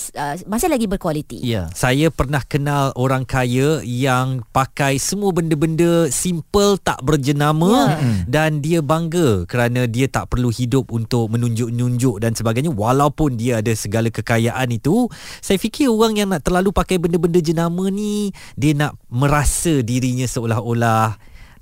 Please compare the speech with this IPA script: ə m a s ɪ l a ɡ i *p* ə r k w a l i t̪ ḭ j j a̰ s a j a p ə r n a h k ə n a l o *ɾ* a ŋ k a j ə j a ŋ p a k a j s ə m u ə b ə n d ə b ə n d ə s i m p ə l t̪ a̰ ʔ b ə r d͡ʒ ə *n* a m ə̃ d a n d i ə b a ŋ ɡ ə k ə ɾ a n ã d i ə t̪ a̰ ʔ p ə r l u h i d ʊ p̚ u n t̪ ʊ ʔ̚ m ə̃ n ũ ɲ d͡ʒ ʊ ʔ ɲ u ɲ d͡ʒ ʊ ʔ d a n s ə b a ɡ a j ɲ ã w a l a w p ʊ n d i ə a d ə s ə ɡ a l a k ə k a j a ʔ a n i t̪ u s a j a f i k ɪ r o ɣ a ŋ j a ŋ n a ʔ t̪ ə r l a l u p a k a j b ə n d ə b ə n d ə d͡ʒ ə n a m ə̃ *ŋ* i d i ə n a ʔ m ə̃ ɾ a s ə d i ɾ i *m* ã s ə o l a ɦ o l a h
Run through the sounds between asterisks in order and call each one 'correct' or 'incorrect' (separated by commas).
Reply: incorrect, correct, correct, incorrect, incorrect